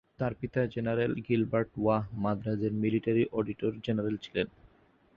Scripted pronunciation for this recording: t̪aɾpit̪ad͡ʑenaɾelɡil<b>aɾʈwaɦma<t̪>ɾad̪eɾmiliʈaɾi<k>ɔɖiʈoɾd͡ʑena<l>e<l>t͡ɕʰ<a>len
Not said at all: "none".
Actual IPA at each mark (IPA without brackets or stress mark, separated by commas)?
b, d̪, ʔ, ɾ, l, i